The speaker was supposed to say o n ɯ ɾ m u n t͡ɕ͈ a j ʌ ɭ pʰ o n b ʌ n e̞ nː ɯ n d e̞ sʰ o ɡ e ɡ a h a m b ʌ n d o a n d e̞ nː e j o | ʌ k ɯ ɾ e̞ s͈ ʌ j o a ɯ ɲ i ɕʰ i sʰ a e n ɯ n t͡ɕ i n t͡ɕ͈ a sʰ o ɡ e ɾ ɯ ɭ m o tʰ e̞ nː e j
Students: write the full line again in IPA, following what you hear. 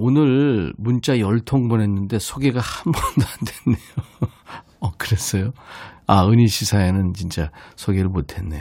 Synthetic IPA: o n ɯ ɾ m u n t͡ɕ͈ a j ʌ ɭ tʰ o ŋ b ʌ n e̞ nː ɯ n d e̞ sʰ o ɡ e ɡ a h a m b ʌ n d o a n d e̞ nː e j o | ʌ k ɯ ɾ e̞ s͈ ʌ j o a ɯ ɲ i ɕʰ i sʰ a e n ɯ n t͡ɕ i n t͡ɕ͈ a sʰ o ɡ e ɾ ɯ ɭ m o tʰ e̞ nː e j